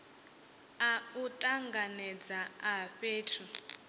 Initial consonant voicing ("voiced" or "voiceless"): voiceless